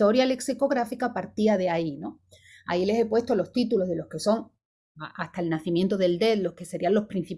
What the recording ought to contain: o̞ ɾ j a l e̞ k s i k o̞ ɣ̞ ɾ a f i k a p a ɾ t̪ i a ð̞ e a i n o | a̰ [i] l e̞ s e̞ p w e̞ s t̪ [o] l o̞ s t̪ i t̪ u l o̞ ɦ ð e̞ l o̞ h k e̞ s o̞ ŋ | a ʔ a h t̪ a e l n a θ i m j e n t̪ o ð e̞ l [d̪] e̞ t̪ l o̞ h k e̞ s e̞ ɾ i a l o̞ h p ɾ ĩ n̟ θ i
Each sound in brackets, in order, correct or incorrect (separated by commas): correct, correct, correct